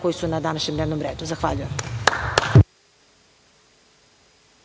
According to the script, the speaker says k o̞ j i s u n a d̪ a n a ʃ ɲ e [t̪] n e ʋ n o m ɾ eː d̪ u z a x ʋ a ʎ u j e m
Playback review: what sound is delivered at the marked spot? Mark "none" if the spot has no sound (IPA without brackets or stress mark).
d̪